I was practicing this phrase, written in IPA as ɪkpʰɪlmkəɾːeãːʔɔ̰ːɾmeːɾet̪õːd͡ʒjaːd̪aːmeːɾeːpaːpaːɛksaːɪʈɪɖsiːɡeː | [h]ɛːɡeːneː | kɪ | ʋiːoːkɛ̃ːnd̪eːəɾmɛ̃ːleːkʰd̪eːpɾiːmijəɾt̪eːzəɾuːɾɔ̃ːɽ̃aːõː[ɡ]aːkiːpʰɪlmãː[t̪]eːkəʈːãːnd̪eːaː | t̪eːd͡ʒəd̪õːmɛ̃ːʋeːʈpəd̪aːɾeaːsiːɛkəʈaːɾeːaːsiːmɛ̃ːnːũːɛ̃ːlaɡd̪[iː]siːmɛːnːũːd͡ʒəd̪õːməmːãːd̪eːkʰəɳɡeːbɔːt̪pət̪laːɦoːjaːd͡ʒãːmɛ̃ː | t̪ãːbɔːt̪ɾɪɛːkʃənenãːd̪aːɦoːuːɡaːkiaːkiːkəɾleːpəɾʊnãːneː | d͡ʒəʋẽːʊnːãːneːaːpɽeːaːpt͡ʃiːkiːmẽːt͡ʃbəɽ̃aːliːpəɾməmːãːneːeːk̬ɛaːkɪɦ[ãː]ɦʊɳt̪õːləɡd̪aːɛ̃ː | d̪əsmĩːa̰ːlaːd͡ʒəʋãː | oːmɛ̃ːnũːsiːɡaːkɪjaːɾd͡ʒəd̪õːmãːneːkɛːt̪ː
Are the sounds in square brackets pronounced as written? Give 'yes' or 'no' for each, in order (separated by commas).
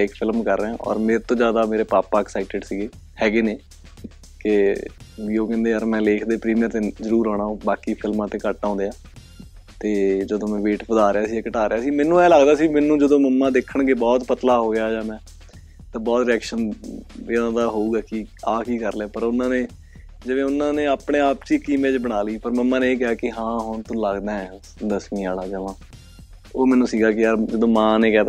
yes, no, yes, no, yes